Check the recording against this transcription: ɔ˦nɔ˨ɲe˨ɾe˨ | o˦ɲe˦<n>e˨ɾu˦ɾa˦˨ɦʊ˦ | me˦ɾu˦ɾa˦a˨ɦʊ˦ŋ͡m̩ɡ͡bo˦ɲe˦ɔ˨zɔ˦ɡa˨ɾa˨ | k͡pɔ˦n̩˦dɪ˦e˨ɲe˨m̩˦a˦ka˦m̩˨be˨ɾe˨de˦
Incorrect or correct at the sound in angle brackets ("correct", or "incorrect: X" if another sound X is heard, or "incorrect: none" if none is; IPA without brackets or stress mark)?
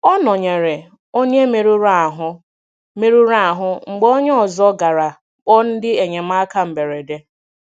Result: incorrect: m